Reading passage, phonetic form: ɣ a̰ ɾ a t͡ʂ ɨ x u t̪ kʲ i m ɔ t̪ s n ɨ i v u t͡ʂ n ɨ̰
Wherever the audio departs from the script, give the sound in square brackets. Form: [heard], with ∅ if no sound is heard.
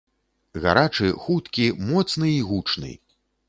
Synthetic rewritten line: ɣ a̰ ɾ a t͡ʂ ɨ x u t̪ kʲ i m ɔ t̪ s n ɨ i [ɣ] u t͡ʂ n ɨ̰